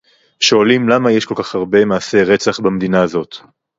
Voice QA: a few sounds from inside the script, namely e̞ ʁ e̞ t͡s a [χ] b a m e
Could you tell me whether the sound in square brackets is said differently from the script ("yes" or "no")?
no